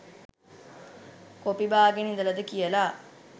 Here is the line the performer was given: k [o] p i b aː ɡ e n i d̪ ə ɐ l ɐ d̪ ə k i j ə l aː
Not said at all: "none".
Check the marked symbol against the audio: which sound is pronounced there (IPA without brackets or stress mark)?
o